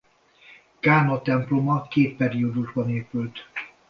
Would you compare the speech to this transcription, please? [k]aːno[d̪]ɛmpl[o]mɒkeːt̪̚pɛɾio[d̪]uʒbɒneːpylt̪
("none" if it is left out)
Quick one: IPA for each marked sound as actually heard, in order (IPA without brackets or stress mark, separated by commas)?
k, t̪, o, d̪